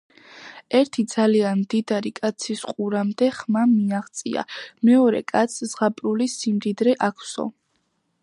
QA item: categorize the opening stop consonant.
aspirated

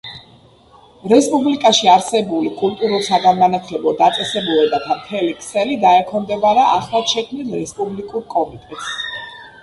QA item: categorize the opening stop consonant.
ejective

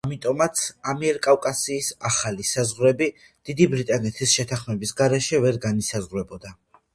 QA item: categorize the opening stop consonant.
ejective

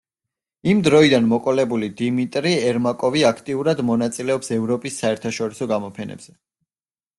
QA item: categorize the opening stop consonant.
plain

